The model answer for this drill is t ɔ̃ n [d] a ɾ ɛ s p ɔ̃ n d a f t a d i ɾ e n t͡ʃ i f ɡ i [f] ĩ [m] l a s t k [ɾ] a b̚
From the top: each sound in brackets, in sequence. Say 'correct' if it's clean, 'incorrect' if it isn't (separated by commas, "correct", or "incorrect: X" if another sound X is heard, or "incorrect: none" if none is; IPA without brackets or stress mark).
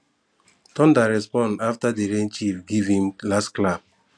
correct, incorrect: v, correct, incorrect: l